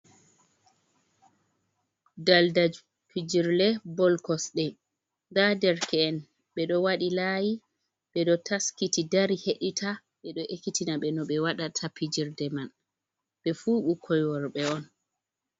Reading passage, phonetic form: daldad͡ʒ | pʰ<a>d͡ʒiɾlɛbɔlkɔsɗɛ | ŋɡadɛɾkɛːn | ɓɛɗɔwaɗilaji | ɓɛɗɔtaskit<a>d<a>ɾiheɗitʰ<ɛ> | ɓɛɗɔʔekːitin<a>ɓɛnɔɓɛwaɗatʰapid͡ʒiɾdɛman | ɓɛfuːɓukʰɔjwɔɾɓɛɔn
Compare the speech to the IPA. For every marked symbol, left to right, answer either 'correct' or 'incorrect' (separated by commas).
incorrect, incorrect, correct, incorrect, correct